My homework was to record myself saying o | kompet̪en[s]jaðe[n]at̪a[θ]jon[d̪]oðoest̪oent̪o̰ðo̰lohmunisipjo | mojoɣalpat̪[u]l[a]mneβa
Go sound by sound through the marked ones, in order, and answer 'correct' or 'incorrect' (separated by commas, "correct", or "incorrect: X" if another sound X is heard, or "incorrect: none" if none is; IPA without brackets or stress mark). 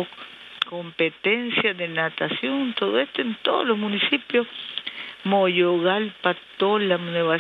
correct, correct, incorrect: s, incorrect: t̪, incorrect: o, correct